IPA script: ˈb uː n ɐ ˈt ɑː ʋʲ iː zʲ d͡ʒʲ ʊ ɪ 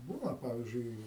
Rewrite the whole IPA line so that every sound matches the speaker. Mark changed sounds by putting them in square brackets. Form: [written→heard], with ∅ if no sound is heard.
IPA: ˈb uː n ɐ [ˈt→ˈp] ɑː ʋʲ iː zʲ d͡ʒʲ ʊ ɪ